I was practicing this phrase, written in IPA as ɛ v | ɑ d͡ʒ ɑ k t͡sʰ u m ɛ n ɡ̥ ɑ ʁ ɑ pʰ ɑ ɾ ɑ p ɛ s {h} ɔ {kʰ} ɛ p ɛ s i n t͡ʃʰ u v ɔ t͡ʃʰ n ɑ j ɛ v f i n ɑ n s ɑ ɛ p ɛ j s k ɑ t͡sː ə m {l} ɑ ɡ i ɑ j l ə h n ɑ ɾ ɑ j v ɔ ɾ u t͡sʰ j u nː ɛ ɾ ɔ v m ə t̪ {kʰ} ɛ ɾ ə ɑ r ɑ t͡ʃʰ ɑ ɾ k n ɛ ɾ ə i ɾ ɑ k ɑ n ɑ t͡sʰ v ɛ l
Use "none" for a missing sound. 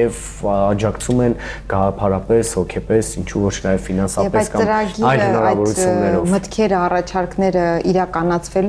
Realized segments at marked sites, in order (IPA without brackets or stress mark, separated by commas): h, kʰ, ɾ, kʰ